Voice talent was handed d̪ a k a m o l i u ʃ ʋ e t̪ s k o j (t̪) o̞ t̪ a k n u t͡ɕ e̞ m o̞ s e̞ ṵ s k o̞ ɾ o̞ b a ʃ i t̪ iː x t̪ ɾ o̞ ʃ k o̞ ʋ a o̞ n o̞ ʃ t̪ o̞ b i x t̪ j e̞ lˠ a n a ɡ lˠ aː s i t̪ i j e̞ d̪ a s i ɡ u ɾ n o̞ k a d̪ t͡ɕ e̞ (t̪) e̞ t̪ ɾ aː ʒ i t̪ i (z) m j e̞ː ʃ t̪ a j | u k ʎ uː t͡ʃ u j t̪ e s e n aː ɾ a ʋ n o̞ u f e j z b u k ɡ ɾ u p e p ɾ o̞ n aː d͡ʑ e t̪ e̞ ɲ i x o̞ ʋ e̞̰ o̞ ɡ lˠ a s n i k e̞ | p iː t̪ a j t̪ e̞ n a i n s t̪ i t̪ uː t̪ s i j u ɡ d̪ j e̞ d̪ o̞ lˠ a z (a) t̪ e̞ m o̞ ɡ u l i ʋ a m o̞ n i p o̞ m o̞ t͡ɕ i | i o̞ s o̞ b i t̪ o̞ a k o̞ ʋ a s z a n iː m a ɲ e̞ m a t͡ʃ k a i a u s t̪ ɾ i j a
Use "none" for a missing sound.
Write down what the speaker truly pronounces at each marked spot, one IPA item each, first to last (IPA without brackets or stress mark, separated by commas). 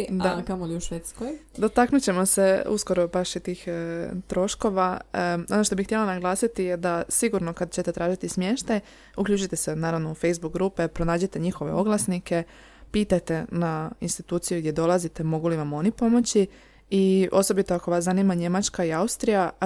d̪, t̪, s, i